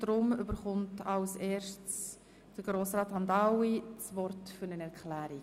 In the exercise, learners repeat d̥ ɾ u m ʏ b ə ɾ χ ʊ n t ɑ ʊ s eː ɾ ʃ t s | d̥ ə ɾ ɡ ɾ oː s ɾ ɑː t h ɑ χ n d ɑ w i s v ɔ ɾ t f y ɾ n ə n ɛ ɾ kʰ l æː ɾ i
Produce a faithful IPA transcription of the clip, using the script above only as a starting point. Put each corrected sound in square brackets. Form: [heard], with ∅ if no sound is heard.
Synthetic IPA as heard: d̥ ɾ [ʊ] m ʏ b ə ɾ χ ʊ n t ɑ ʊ s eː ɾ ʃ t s | d̥ ə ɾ ɡ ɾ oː s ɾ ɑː t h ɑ [∅] n d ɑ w i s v ɔ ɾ t f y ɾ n ə n ɛ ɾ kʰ l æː ɾ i